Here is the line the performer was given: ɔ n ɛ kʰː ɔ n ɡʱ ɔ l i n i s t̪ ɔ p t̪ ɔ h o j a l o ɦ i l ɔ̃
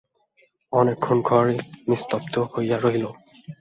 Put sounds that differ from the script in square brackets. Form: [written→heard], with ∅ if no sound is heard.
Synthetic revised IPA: ɔ n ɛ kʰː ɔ n ɡʱ ɔ [l→ɹ] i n i s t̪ ɔ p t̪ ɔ h o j a [l→ɹ] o ɦ i l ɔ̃